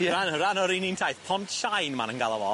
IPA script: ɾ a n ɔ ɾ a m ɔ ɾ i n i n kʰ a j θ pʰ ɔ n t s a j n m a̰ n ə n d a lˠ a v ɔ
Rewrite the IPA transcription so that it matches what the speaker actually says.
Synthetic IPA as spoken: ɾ a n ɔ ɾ a n ɔ ɾ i n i n tʰ a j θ pʰ ɔ n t ʃ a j n m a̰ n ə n ɡ a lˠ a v ɔ